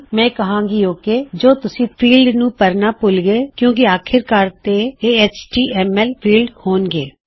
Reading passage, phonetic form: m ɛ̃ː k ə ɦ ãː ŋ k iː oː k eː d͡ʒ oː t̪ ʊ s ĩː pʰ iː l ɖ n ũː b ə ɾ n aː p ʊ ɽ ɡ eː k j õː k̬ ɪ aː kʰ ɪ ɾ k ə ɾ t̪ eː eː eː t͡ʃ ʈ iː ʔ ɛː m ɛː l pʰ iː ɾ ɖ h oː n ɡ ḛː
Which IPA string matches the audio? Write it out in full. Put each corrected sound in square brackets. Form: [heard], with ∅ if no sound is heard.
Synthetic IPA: m ɛ̃ː k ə ɦ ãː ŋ [ɡ] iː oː k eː d͡ʒ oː t̪ ʊ s ĩː pʰ iː l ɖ n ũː [p] ə ɾ n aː p ʊ [l] ɡ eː k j õː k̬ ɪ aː kʰ ɪ ɾ k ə ɾ t̪ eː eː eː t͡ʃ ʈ iː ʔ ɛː m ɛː l pʰ iː [l] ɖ h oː n ɡ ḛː